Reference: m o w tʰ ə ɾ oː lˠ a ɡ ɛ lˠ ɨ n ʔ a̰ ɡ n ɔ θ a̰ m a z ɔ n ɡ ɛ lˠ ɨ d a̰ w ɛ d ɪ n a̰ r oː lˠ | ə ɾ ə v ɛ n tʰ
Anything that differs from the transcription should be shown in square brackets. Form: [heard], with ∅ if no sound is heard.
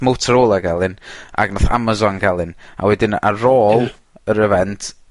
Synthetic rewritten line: m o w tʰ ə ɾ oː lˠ a ɡ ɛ lˠ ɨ n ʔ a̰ ɡ n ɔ θ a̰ m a z ɔ n ɡ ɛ lˠ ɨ [n] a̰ w ɛ d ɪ n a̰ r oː lˠ | ə ɾ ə v ɛ n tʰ